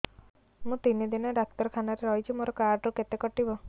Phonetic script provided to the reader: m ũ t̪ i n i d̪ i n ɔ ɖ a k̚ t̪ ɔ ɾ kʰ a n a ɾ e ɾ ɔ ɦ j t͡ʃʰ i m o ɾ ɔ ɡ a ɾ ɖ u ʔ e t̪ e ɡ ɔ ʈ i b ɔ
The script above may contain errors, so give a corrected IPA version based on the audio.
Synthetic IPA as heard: m ũ t̪ i n i d̪ i n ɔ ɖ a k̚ t̪ ɔ ɾ kʰ a n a ɾ e ɾ ɔ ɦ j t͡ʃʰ i m o ɾ ɔ k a ɾ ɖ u k e t̪ e k ɔ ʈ i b ɔ